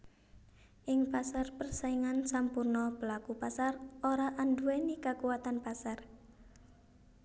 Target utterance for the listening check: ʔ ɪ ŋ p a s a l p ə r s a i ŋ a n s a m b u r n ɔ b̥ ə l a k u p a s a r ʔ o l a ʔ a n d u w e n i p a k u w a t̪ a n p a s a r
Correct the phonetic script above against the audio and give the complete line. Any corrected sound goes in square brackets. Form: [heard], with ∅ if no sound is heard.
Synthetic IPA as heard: ʔ ɪ ŋ p a s a [r] p ə r s a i ŋ a n s a m [p] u r n ɔ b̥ ə l a k u p a s a r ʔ o [ɾ] a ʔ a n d u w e n i [k] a k u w a t̪ a n p a s a r